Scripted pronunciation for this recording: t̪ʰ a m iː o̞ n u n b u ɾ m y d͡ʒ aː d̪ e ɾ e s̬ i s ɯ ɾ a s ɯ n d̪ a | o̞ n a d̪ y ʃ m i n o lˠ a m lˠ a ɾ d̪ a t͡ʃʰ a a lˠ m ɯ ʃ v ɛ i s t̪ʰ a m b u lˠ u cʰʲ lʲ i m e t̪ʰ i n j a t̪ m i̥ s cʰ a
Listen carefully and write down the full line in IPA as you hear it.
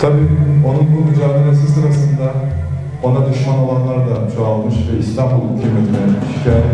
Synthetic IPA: t̪ʰ a b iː o̞ n u n b u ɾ m y d͡ʒ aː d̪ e ɾ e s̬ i s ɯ ɾ a s ɯ n d̪ a | o̞ n a d̪ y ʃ m a n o lˠ a n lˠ a ɾ d̪ a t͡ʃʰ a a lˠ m ɯ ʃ v ɛ i s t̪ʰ a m b u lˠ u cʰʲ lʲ i m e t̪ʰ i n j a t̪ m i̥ ʃ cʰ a